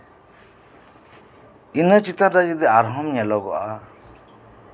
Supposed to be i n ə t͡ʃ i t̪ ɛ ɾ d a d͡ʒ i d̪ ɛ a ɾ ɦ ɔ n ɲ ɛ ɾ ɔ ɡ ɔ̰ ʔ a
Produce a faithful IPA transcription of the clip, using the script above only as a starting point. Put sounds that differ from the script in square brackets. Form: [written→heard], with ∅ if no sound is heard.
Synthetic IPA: i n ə t͡ʃ i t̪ [ɛ→a] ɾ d a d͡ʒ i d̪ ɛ a ɾ ɦ ɔ [n→m] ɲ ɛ [ɾ→l] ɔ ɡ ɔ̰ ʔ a